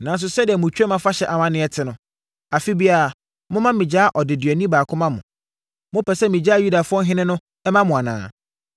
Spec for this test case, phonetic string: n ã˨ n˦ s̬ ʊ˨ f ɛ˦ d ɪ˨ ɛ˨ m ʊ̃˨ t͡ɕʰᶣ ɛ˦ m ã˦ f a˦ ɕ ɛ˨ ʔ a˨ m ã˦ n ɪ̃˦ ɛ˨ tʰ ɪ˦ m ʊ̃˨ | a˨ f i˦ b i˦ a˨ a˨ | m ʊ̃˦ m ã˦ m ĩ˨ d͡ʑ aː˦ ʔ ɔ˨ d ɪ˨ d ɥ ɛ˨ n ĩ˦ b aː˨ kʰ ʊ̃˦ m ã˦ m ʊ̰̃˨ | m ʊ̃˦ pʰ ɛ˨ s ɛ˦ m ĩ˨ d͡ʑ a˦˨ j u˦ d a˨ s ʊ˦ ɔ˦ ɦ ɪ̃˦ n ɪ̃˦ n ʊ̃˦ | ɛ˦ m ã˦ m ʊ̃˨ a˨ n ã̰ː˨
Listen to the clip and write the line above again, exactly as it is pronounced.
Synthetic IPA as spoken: n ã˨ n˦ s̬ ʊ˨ s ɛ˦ d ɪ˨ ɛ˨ m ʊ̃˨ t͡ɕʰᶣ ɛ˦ m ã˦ f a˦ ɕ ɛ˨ ʔ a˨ m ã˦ n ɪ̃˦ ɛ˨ tʰ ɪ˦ n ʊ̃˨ | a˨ f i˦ b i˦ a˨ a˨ | m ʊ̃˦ m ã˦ m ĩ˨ d͡ʑ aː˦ ʔ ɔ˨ d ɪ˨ d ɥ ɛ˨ n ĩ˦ b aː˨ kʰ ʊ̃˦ m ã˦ m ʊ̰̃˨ | m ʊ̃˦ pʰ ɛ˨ s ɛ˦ m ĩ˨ d͡ʑ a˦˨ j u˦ d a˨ f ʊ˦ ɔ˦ ɦ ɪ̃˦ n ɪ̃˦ n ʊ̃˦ | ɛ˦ m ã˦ m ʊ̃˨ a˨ n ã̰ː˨